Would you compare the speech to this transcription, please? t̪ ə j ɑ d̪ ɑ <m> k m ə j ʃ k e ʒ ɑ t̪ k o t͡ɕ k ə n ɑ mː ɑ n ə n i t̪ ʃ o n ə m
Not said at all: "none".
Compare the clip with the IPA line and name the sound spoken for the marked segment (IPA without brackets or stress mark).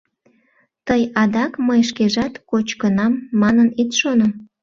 none